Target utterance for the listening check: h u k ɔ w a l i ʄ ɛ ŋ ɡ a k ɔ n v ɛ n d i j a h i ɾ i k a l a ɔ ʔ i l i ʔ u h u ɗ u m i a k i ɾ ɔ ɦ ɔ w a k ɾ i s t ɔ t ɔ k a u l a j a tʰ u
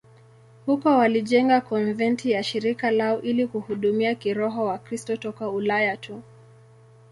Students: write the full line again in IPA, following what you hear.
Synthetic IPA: h u k ɔ w a l i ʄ ɛ ŋ ɡ a k ɔ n v ɛ n t i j a ʃ i ɾ i k a l a ɔ ʔ i l i k u h u ɗ u m i a k i ɾ ɔ ɦ ɔ w a k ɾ i s t ɔ t ɔ k a u l a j a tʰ u